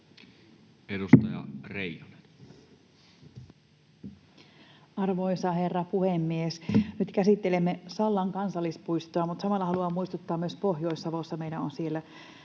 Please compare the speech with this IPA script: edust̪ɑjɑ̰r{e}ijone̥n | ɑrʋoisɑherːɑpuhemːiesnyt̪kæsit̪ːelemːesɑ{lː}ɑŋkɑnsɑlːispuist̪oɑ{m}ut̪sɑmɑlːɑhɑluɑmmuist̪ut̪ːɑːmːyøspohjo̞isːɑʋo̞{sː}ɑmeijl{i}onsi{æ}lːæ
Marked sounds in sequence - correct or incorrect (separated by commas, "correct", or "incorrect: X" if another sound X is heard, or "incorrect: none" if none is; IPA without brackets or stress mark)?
correct, correct, correct, correct, incorrect: æ, incorrect: e